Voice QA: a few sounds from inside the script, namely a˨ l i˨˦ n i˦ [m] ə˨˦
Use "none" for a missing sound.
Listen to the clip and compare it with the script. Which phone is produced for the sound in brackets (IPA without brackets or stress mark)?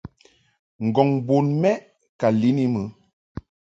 m